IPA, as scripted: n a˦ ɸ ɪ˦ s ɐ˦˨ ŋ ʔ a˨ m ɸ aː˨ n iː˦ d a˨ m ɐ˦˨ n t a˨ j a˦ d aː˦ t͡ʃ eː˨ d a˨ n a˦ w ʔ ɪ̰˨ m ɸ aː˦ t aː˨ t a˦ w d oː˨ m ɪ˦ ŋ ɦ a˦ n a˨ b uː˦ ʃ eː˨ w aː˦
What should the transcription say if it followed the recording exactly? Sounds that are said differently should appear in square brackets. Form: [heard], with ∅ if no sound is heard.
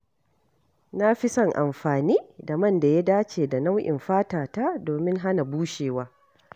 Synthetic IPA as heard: n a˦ ɸ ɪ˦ s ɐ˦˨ ŋ ʔ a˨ m ɸ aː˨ n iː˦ d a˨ m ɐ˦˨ n [d] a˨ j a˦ d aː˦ t͡ʃ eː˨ d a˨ n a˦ w ʔ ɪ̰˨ m ɸ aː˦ t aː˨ t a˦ [∅] d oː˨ m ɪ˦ ŋ ɦ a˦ n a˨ b uː˦ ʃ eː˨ w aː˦